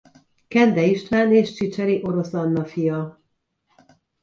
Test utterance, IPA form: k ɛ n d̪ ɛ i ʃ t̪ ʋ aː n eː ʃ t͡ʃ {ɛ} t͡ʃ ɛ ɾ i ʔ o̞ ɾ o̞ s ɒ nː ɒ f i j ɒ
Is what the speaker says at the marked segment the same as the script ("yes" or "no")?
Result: no